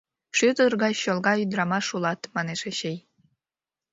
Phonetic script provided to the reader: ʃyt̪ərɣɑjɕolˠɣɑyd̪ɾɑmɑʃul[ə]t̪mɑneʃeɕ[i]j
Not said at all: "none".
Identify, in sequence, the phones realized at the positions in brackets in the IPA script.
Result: ɑ, e

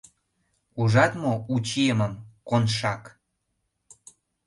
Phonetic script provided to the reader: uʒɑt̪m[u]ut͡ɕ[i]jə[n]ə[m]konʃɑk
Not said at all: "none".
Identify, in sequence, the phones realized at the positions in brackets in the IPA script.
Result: o, i, m, m

